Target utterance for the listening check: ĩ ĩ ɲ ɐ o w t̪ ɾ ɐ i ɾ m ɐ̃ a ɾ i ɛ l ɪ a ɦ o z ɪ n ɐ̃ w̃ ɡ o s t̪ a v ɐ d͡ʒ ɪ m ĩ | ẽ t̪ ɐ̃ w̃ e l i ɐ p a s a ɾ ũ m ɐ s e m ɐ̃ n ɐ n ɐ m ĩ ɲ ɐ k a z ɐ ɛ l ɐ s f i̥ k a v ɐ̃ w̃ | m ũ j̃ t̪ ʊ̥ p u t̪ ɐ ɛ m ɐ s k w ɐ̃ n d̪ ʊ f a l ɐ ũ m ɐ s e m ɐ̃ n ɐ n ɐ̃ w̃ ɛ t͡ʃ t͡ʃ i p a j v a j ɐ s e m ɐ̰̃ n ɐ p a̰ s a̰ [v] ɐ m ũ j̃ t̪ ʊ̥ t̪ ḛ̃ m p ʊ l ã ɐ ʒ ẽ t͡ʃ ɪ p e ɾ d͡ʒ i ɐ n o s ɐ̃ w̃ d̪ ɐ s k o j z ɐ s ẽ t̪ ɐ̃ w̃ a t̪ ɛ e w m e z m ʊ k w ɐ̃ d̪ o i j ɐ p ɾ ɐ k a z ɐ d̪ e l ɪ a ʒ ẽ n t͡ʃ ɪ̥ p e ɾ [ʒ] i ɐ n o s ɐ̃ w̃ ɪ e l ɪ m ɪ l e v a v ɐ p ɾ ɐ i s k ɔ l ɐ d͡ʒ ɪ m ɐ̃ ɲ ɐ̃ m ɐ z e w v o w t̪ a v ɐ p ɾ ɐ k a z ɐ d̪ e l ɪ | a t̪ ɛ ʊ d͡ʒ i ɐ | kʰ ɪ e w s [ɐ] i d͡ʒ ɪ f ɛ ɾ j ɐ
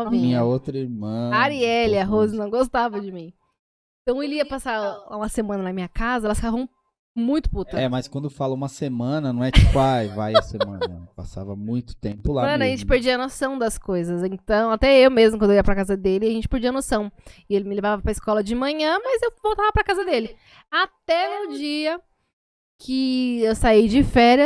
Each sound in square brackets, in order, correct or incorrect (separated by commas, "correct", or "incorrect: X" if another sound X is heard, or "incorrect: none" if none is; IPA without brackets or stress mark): correct, incorrect: d͡ʒ, incorrect: a